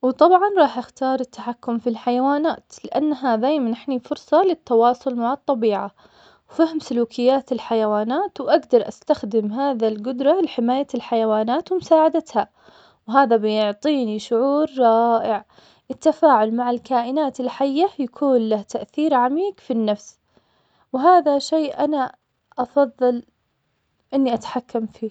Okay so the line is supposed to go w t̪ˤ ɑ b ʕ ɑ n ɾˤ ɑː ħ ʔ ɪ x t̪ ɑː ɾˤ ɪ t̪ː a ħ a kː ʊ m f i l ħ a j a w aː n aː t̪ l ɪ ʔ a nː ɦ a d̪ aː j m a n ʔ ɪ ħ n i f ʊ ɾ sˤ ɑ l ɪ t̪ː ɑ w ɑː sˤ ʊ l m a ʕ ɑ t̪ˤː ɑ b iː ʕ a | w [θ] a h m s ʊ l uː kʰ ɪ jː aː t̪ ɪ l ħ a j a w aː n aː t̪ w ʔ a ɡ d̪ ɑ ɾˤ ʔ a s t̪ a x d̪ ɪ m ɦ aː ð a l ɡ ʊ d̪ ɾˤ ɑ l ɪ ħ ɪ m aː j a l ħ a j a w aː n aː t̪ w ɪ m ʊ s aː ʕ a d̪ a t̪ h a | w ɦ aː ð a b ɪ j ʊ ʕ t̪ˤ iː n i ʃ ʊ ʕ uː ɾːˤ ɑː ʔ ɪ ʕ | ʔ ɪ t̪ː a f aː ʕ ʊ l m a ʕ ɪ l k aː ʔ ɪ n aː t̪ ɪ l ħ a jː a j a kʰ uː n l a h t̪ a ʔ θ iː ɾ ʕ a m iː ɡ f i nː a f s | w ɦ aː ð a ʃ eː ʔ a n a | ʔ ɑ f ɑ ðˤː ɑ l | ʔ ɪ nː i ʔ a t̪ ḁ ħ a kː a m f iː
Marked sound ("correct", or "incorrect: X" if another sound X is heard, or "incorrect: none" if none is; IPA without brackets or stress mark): incorrect: f